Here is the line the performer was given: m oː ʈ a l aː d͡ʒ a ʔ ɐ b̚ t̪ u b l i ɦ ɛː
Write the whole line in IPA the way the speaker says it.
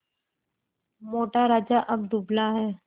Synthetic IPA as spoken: m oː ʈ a ɾ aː d͡ʒ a ʔ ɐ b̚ d̪ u b l a ɦ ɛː